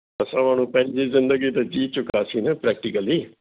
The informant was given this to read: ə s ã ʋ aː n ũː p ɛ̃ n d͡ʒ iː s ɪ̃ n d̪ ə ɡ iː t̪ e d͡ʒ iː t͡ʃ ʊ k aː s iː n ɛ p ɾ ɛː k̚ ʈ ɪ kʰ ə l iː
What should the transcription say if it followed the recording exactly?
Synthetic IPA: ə s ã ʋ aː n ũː p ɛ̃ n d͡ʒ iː z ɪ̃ n d̪ ə ɡ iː t̪ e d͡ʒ iː t͡ʃ ʊ k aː s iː n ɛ p ɾ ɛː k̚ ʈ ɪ k ə l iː